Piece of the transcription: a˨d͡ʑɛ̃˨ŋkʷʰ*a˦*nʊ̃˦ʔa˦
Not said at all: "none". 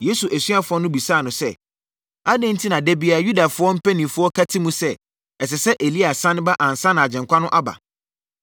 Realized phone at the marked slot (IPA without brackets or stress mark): a˦